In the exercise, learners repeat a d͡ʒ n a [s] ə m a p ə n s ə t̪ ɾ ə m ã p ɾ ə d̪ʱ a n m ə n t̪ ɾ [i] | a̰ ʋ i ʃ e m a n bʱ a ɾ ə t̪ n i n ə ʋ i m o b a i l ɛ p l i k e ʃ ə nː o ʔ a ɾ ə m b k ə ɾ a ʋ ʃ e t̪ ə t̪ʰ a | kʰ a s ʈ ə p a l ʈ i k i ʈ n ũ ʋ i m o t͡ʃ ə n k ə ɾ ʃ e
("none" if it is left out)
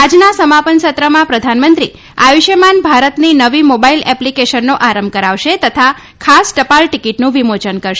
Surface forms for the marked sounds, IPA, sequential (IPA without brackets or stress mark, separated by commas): s, i